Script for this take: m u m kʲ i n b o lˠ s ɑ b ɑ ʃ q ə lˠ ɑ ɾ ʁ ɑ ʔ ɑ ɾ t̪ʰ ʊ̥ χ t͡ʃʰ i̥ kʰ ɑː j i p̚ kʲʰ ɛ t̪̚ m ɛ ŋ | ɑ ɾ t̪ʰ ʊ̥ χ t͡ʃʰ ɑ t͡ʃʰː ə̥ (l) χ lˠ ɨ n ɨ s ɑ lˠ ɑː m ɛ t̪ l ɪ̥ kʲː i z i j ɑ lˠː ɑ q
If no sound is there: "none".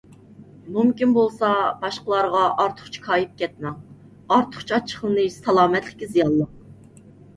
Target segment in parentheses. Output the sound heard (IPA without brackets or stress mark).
none